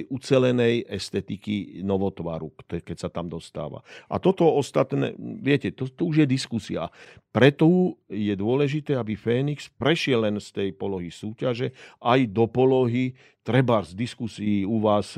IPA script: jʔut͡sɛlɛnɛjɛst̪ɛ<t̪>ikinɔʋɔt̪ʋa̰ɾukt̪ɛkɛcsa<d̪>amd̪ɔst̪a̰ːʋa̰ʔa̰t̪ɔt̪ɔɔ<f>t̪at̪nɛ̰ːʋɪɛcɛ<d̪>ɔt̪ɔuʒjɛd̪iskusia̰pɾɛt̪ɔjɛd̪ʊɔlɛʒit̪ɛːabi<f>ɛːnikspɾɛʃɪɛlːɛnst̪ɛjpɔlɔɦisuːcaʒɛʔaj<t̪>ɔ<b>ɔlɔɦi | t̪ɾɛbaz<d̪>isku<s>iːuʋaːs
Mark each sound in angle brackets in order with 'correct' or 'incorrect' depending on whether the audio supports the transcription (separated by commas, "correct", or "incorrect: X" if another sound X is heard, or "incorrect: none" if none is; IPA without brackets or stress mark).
correct, incorrect: t̪, incorrect: s, incorrect: t̪, correct, incorrect: d̪, incorrect: p, correct, correct